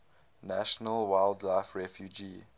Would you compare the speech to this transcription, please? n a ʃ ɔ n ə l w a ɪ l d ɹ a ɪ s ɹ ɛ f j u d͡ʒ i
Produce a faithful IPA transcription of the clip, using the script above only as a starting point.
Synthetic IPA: n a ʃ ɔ n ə l w a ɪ l d l a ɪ f ɹ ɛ f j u d͡ʒ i